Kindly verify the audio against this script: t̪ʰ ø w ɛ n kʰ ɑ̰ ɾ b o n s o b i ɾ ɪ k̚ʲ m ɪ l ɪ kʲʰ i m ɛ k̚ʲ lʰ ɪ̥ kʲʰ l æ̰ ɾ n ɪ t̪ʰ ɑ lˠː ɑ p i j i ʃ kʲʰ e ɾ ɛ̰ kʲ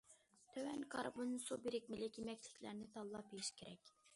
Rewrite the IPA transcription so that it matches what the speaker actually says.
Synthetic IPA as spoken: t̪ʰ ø w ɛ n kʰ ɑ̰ ɾ b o n s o b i ɾ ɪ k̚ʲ m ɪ l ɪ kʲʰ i m ɛ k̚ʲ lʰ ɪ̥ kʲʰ l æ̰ ɾ n ɪ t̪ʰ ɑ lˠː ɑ p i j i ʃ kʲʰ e ɾ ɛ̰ kʲ